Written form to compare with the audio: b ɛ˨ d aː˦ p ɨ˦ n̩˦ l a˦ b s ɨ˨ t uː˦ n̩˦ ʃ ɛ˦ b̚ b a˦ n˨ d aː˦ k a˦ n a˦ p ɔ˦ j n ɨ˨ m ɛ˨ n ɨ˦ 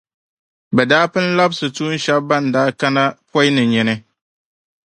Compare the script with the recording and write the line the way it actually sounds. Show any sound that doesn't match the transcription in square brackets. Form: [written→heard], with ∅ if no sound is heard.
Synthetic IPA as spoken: b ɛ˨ d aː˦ p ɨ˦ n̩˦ l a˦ b s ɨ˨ t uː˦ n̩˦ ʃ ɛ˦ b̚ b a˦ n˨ d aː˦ k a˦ n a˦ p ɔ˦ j n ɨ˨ [m→ɲ] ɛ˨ n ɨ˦